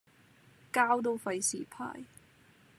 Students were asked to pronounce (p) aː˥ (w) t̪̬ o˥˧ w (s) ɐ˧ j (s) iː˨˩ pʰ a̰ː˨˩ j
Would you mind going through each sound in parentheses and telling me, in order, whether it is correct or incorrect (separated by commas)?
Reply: incorrect, correct, incorrect, correct